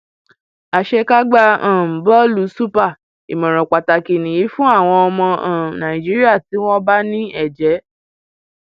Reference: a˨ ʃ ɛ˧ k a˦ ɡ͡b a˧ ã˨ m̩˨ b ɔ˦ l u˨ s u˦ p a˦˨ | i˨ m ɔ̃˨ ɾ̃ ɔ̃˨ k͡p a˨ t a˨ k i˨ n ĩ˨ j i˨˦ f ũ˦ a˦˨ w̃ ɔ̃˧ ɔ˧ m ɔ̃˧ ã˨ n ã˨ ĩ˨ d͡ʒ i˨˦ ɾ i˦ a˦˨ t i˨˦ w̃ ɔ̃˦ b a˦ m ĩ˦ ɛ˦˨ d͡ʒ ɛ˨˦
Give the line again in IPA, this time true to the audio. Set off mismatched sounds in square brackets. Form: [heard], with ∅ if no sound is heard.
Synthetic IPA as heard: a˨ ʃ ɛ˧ k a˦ ɡ͡b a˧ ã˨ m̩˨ b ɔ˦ l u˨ s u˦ p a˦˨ | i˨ m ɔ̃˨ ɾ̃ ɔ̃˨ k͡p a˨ t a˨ k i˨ n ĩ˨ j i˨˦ f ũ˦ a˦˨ w̃ ɔ̃˧ ɔ˧ m ɔ̃˧ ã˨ n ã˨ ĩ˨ d͡ʒ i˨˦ ɾ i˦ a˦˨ t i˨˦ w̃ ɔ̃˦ b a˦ [n] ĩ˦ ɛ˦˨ d͡ʒ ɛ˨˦